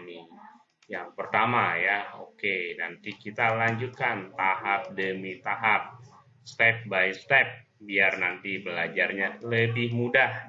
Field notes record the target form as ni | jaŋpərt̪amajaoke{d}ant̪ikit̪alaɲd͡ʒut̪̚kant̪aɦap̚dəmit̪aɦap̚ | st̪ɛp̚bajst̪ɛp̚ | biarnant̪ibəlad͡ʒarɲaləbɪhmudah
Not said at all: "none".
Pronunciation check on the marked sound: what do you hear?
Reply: n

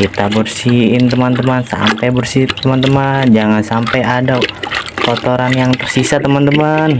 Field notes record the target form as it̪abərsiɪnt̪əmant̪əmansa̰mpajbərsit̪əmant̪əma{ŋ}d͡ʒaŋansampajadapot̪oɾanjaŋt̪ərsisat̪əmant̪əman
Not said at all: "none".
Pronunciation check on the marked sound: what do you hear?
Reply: n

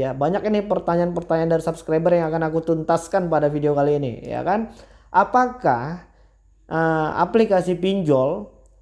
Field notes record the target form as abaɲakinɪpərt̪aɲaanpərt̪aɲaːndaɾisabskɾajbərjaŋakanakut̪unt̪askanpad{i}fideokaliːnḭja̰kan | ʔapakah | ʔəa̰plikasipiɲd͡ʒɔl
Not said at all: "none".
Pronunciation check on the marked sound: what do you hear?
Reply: a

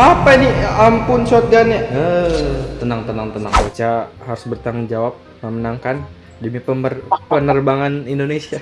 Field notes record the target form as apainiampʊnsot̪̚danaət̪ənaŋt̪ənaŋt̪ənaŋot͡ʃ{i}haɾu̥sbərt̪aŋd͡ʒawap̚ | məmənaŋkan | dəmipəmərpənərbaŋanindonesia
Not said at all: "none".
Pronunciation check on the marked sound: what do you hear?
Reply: a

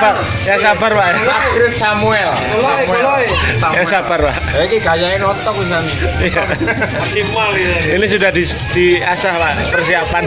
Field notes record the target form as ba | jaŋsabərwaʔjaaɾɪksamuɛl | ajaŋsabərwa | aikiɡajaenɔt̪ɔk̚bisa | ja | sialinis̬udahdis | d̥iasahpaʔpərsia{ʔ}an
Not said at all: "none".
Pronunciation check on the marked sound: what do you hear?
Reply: p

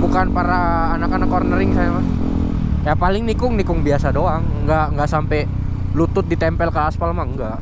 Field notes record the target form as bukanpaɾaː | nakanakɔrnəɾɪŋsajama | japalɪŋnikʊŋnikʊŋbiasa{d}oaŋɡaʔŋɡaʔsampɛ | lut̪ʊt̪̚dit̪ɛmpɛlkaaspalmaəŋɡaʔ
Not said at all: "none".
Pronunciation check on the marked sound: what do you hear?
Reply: d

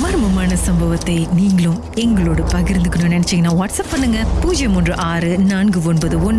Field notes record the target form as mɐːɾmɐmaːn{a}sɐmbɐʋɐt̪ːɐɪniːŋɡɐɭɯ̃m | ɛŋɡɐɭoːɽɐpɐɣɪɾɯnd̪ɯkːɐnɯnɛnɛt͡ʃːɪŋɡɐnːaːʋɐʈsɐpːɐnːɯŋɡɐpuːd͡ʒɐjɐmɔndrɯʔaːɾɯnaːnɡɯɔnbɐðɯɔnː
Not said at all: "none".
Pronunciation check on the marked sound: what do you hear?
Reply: ɐ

